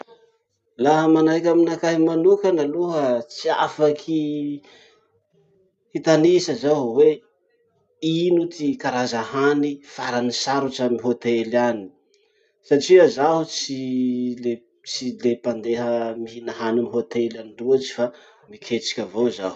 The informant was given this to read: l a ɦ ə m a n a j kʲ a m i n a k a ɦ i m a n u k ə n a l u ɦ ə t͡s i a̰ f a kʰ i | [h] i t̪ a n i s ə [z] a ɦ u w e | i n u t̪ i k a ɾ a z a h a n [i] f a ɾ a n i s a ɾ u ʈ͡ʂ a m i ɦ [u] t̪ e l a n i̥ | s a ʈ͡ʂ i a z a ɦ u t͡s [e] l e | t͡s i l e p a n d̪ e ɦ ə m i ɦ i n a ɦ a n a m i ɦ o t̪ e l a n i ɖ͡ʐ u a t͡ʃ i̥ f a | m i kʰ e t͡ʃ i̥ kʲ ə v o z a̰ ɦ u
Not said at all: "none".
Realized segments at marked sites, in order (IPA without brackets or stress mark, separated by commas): h, z, i, o, i